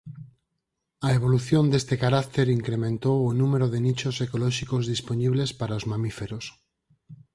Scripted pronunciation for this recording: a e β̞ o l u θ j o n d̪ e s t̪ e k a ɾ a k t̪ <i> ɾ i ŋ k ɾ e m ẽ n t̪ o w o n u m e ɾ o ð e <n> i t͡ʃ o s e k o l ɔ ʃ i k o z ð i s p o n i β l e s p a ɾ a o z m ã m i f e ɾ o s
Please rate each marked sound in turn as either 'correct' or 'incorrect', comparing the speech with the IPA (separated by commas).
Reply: incorrect, correct